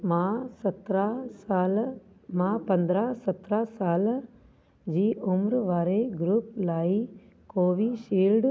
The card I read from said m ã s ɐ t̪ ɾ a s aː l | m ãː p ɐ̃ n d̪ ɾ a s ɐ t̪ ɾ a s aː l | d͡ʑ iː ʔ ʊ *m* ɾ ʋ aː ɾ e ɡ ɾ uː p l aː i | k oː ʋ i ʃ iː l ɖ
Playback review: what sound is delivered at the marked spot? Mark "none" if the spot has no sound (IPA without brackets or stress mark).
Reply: m